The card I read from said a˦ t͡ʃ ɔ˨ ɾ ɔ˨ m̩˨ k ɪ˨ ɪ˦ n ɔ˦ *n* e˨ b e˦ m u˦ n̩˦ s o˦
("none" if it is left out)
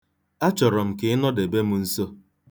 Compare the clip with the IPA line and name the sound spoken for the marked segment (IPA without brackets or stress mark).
d